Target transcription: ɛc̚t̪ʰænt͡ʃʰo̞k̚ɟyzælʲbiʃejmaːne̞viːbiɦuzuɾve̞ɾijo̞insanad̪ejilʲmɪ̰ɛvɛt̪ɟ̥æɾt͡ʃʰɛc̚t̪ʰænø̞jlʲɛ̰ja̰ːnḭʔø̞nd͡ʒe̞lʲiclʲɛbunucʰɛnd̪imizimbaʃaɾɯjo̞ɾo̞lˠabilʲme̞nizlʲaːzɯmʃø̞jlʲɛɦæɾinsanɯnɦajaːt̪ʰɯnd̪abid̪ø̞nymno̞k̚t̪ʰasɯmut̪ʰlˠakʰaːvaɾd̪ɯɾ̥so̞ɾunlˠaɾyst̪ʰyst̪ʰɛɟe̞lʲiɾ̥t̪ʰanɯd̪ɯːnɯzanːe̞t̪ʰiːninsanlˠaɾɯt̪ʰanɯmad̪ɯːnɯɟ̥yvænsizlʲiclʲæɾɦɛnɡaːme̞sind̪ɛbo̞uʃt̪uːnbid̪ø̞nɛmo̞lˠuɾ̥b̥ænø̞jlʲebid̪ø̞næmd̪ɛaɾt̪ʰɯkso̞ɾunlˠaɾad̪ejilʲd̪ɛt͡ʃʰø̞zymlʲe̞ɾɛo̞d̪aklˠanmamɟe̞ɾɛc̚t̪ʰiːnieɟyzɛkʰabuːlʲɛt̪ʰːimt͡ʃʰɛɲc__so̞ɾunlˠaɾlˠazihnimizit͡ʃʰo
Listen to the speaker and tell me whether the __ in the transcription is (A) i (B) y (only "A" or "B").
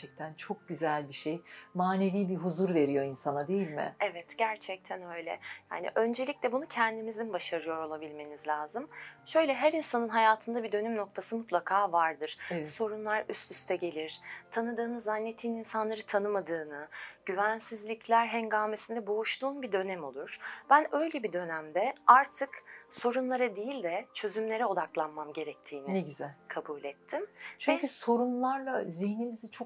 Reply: B